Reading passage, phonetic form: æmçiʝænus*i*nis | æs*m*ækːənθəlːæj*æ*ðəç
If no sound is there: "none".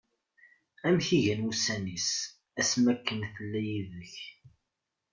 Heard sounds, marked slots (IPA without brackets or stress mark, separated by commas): æ, m, i